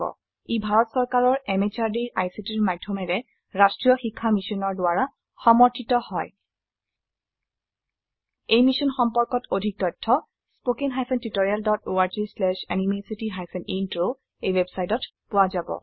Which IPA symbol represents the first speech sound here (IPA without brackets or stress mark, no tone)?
ɔ̰